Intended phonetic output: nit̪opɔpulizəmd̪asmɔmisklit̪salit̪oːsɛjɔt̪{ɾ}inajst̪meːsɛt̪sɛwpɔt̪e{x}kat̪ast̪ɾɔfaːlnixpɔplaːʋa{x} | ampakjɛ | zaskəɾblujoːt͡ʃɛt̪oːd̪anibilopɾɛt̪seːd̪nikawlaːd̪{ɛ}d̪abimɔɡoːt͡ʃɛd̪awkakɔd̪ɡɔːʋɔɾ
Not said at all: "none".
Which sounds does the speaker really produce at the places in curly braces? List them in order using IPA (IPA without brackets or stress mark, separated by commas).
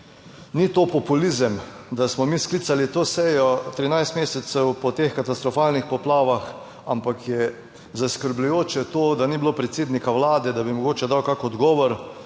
ɾ, x, x, ɛ